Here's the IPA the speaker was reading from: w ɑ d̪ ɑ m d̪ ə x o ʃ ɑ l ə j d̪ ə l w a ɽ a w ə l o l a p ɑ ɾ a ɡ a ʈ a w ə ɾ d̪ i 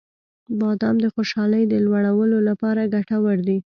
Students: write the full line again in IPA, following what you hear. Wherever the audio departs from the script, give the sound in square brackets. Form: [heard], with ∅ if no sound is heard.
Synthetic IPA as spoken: [b] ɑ d̪ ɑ m d̪ ə x o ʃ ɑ l ə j d̪ ə l w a ɽ a w ə l o l a p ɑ ɾ a ɡ a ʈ a w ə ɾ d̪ i